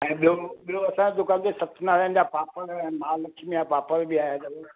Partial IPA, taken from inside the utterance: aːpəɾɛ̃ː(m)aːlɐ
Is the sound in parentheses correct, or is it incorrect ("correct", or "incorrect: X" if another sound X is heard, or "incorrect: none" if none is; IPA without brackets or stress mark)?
correct